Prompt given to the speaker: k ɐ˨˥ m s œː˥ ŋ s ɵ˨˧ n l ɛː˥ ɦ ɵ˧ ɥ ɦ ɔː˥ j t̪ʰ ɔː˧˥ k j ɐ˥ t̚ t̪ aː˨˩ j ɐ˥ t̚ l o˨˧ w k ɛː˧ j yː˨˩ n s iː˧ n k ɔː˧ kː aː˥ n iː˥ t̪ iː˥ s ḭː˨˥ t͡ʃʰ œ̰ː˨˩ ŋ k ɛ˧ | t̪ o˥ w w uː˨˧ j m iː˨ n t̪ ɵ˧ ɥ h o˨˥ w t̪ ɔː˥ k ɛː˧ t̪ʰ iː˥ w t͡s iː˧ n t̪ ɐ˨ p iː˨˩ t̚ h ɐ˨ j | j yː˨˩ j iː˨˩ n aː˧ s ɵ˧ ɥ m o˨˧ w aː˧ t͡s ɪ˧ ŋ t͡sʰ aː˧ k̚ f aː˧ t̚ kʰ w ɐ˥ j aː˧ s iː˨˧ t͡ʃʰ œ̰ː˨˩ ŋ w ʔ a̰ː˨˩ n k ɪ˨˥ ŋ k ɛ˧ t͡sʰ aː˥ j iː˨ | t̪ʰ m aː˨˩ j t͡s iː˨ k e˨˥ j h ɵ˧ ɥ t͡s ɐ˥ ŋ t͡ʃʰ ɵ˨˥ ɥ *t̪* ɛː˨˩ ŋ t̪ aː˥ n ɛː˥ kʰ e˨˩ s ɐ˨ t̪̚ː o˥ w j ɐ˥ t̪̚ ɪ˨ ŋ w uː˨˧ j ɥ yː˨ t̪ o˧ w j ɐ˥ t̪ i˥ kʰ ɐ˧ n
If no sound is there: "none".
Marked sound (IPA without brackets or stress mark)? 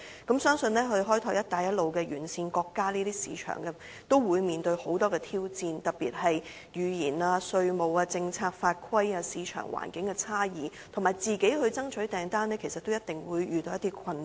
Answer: t̪